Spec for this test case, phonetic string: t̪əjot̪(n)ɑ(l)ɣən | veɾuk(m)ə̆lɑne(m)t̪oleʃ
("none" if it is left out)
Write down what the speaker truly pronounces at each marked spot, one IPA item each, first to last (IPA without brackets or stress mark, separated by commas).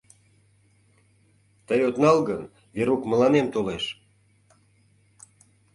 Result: n, l, m, m